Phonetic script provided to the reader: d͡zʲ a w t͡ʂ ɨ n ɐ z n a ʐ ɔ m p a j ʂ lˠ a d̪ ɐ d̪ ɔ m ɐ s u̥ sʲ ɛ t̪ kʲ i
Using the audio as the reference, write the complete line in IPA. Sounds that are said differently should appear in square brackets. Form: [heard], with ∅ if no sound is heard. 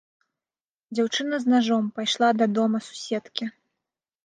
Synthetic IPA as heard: d͡zʲ a w t͡ʂ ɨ n ɐ z n a ʐ ɔ m p a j ʂ lˠ a d̪ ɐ d̪ ɔ m ɐ s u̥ sʲ ɛ t̪ kʲ i